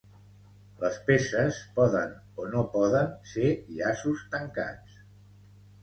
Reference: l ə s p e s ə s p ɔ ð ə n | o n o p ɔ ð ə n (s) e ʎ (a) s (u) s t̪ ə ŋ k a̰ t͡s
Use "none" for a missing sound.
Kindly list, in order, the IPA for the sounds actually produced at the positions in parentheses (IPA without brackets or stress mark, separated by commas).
s, a, u